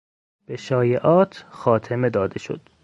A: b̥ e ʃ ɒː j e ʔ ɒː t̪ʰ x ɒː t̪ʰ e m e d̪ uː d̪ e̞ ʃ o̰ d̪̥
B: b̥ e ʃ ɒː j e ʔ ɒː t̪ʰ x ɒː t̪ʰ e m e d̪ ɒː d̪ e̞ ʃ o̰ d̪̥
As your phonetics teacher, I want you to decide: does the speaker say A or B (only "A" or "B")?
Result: B